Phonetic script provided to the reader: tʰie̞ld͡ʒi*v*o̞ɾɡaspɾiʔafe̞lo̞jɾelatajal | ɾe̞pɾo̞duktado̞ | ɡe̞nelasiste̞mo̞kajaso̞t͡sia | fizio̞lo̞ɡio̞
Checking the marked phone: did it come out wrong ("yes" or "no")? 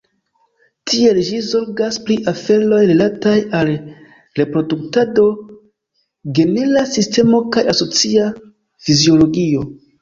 yes